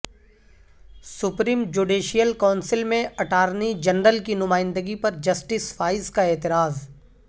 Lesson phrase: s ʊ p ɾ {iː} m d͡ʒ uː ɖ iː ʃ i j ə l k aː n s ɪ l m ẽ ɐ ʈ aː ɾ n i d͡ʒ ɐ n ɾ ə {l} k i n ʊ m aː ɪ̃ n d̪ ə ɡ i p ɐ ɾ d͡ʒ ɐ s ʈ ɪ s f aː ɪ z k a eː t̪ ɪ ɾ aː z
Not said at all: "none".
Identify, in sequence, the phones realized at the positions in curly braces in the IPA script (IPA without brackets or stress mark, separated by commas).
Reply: iː, l